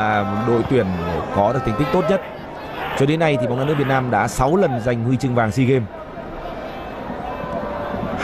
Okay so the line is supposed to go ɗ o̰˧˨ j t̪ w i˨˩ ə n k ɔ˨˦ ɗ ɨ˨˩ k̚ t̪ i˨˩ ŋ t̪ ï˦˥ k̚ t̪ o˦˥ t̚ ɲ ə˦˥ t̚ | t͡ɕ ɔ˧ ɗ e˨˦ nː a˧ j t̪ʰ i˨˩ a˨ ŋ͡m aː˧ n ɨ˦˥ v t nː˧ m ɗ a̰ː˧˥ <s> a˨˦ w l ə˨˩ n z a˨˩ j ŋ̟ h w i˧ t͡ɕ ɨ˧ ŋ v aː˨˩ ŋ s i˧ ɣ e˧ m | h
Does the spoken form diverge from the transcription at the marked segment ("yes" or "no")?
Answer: no